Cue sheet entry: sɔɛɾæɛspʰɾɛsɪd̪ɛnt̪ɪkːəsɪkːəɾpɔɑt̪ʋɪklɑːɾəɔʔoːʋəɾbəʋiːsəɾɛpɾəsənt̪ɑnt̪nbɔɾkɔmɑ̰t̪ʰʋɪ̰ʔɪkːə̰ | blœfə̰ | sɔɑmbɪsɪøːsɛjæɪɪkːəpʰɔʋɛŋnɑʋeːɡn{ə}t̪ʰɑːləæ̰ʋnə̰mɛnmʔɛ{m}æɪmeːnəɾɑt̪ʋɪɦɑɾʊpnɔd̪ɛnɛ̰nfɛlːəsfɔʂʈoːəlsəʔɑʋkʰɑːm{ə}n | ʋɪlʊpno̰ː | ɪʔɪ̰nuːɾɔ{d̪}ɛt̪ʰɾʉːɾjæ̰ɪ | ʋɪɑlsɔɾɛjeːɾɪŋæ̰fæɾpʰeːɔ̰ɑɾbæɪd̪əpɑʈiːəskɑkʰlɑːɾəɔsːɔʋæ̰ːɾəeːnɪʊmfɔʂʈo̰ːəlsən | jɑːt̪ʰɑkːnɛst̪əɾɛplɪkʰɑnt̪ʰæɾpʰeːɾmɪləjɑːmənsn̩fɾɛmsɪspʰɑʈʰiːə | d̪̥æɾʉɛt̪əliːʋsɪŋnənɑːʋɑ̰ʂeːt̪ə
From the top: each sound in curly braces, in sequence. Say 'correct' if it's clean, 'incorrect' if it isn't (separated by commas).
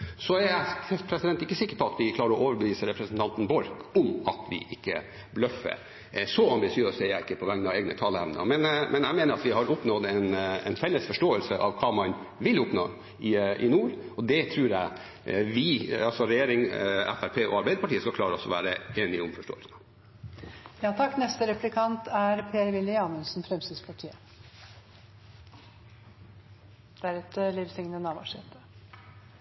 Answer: correct, incorrect, incorrect, correct